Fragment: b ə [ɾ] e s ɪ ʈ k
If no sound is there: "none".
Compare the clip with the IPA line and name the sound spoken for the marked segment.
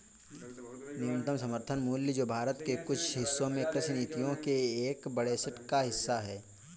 ɽ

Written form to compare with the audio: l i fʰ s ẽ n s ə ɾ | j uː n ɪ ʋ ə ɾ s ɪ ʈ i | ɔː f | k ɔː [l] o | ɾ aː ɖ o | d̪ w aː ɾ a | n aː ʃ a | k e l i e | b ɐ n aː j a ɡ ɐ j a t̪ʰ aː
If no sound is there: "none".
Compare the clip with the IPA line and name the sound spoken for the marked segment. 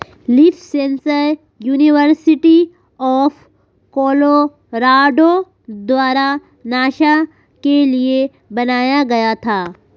l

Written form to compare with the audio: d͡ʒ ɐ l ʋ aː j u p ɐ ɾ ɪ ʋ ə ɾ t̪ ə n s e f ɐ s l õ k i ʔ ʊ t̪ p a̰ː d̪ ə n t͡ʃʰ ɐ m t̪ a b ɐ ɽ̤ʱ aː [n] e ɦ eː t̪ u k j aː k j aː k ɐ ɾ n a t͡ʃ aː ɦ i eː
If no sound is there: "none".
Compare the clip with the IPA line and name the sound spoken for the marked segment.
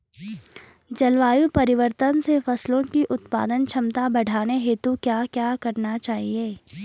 n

